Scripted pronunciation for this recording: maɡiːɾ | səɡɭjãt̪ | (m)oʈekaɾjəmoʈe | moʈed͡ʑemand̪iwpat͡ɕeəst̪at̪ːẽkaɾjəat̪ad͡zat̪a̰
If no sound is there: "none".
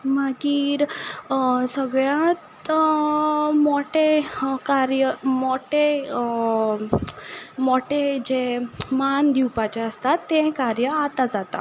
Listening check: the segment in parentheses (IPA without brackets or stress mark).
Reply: m